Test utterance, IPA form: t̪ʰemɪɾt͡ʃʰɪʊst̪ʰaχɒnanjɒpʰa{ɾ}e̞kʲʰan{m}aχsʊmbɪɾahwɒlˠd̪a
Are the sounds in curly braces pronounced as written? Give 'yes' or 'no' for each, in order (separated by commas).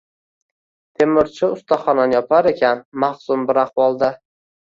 yes, yes